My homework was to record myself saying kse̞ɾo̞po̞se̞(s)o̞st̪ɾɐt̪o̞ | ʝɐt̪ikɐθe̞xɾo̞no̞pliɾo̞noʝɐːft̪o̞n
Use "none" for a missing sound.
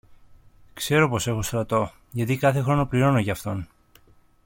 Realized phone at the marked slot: x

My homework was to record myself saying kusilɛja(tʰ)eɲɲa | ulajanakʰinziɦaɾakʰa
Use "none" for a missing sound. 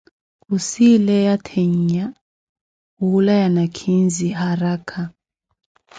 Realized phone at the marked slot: tʰ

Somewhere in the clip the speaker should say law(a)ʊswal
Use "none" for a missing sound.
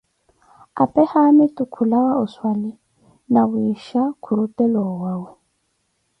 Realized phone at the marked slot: a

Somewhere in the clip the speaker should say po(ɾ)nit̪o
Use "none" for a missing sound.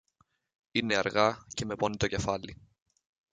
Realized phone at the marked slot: none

